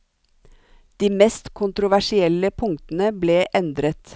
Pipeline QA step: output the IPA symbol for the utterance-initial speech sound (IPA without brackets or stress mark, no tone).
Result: d̪̥